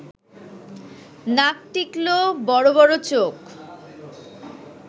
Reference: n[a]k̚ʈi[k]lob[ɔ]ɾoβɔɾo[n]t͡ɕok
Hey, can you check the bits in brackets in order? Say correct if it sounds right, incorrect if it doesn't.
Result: correct, correct, correct, incorrect: none

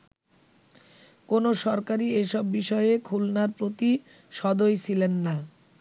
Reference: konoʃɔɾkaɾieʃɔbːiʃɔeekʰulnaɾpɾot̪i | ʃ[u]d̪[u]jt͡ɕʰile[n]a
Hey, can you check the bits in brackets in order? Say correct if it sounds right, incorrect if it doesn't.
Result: incorrect: ɔ, incorrect: o, incorrect: nː

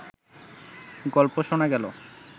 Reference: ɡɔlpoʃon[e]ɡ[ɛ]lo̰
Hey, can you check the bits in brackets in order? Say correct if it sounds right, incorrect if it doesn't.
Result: incorrect: a, correct

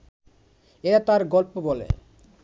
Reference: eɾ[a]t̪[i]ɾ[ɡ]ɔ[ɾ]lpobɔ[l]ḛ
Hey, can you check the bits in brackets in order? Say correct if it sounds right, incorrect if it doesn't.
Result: correct, incorrect: a, correct, incorrect: none, correct

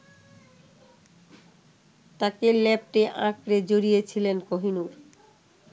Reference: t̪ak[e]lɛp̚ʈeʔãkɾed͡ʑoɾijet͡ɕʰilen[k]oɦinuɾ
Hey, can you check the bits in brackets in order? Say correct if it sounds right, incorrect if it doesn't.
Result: correct, correct

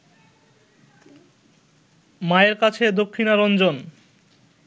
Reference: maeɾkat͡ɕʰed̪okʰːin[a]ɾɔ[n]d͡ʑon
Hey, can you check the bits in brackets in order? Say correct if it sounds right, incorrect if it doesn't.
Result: correct, correct

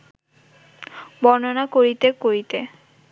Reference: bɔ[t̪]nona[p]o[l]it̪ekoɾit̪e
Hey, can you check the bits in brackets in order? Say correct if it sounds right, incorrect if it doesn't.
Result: incorrect: none, incorrect: k, incorrect: ɾ

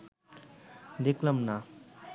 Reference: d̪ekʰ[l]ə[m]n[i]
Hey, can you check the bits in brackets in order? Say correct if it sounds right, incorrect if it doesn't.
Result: correct, correct, incorrect: a

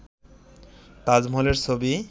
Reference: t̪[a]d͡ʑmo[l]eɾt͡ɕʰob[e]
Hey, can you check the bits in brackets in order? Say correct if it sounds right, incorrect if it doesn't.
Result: correct, correct, incorrect: i

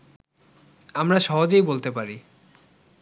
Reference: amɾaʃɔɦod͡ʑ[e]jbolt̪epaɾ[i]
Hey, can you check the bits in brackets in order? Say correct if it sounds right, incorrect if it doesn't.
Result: correct, correct

